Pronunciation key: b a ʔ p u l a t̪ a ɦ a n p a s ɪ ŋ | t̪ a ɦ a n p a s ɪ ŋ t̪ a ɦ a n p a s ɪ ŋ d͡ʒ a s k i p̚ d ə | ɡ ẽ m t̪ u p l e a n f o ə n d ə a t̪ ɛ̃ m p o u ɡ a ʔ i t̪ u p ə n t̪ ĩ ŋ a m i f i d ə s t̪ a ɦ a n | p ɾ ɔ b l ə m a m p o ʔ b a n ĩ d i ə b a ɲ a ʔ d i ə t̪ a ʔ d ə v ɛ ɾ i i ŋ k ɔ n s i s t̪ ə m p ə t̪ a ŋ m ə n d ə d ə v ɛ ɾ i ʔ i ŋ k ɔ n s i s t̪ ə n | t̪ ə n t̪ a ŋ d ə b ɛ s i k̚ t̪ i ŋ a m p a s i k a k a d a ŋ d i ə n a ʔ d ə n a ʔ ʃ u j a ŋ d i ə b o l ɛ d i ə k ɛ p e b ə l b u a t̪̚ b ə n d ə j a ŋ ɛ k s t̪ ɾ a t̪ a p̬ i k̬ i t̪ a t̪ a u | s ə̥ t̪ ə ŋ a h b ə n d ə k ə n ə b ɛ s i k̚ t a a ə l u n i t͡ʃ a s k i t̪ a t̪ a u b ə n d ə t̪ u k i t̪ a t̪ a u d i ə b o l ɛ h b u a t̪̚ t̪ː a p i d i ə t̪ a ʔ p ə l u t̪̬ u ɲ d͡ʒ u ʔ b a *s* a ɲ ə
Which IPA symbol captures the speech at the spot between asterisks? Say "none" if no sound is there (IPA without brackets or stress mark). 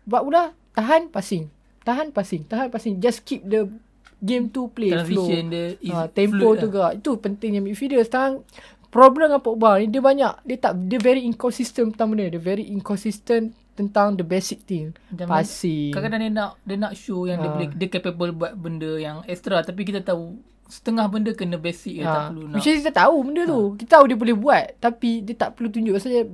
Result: s